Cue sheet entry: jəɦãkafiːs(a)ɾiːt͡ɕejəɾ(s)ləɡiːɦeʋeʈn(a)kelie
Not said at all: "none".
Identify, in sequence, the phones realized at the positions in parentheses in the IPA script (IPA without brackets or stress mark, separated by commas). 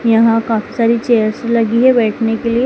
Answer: a, s, e